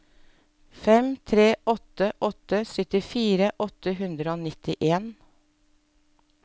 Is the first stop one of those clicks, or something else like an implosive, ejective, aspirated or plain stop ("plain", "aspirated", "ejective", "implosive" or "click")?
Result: aspirated